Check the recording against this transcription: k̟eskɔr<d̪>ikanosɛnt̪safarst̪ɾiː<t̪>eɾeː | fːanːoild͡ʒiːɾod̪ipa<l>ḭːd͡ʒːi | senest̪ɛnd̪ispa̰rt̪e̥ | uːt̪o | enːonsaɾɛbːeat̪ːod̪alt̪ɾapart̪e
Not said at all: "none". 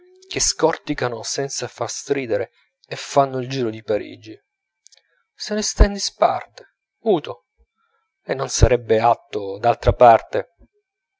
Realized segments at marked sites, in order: t̪, d̪, ɾ

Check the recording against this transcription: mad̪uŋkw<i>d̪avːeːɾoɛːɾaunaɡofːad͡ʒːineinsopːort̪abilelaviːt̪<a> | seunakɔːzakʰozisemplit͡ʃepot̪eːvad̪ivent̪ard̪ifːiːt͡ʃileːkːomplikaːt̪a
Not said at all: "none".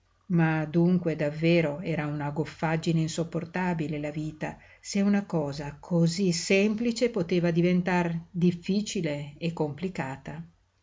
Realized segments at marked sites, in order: e, a

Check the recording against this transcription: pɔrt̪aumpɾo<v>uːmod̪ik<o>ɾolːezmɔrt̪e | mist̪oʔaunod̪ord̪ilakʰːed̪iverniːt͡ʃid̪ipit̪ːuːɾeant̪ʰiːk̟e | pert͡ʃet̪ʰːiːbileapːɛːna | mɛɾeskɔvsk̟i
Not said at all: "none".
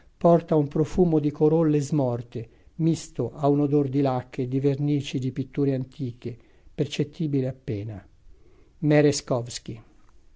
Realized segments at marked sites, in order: f, o

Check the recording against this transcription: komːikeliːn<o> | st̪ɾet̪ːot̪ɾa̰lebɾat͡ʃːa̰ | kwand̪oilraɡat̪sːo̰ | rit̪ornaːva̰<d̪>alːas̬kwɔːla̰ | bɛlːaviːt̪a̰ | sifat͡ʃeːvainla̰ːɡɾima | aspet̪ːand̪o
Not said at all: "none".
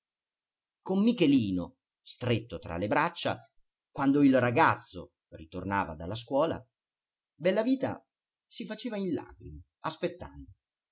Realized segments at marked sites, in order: o, d̪

